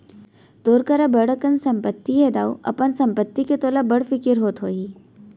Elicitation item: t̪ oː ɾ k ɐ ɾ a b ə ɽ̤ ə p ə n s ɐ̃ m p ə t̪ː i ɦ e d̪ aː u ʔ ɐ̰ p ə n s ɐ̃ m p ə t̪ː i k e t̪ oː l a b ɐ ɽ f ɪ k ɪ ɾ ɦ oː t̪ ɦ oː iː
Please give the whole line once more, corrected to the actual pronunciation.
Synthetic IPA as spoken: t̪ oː ɾ k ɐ ɾ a b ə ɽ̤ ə k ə n s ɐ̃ m p ə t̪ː i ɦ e d̪ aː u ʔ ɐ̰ p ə n s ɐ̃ m p ə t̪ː i k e t̪ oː l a b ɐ ɽ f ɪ k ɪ ɾ ɦ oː t̪ ɦ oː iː